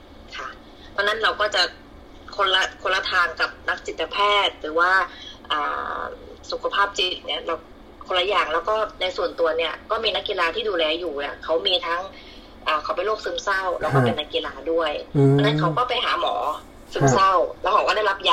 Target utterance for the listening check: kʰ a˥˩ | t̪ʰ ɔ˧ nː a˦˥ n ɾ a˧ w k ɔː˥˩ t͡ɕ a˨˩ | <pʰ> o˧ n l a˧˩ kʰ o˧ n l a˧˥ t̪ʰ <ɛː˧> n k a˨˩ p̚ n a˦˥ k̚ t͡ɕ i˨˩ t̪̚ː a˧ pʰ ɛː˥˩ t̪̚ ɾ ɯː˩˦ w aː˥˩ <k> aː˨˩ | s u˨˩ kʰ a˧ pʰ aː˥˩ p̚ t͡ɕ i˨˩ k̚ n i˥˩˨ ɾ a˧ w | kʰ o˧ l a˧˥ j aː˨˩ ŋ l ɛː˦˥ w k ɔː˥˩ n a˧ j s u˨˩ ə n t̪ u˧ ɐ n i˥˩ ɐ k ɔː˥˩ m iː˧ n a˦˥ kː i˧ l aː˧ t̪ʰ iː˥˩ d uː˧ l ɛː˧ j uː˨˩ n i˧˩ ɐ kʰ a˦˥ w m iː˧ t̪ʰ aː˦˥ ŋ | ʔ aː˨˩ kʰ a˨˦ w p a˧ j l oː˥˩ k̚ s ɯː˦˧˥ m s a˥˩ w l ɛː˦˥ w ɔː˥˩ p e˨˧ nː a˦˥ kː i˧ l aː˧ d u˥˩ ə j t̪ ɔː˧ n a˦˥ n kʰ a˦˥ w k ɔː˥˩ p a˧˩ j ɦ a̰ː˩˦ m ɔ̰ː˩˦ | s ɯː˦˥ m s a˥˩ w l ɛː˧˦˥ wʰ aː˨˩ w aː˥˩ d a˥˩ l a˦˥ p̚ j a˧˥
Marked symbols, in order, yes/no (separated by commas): no, no, no